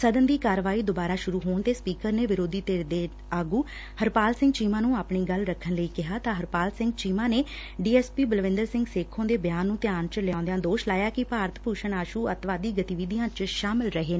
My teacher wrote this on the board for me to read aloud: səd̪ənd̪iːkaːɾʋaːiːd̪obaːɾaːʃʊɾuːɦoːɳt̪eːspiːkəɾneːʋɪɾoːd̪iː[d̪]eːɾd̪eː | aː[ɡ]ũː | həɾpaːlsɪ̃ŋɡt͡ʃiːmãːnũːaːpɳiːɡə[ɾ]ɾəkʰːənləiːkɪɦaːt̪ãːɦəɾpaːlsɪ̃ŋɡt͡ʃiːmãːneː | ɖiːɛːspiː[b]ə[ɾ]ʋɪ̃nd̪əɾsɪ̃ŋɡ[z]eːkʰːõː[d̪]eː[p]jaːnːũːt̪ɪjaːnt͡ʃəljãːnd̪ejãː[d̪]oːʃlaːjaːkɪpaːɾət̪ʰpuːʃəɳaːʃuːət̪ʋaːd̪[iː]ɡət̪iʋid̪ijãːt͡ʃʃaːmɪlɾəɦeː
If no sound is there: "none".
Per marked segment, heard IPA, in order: t̪, ɡ, l, b, l, s, d̪, b, d̪, iː

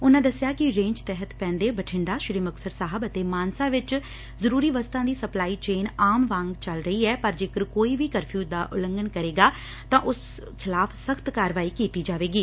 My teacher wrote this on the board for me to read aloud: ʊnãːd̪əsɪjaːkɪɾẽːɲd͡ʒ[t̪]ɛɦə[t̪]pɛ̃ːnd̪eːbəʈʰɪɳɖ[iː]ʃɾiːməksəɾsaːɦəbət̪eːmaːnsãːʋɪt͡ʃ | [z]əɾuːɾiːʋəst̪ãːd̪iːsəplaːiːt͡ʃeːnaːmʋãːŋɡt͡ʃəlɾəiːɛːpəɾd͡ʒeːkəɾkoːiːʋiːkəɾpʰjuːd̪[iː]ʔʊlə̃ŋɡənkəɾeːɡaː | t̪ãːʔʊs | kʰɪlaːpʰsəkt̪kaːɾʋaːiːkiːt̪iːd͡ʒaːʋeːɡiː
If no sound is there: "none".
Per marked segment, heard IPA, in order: t̪, t̪, aː, z, aː

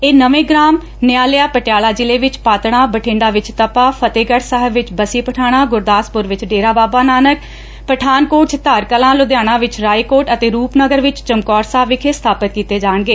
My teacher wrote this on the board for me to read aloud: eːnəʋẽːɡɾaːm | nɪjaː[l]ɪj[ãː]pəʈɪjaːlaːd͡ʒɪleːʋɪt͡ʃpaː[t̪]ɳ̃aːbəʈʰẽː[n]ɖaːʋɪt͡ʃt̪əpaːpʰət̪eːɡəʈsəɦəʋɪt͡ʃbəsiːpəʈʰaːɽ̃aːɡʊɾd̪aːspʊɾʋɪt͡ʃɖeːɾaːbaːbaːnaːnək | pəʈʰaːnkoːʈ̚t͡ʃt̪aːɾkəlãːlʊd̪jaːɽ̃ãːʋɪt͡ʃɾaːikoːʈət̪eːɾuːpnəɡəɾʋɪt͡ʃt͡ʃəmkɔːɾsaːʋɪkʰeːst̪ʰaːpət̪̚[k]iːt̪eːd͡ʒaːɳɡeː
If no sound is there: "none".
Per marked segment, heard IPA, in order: l, aː, t̪, ɳ, k

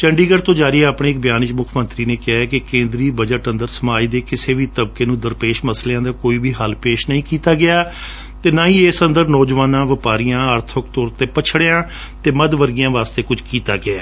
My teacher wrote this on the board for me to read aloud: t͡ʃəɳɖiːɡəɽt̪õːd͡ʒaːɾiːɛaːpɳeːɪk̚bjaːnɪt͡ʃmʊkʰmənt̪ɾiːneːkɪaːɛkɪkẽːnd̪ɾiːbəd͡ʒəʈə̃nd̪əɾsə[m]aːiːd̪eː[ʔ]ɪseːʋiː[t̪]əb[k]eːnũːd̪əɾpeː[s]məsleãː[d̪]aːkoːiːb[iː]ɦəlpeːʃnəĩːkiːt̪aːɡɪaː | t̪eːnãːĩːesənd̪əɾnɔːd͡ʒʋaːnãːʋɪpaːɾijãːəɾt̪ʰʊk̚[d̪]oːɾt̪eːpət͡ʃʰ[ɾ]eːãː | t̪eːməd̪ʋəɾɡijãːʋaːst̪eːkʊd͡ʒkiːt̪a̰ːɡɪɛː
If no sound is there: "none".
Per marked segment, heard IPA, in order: m, k, t̪, k, ʃ, d̪, iː, t̪, ɽ

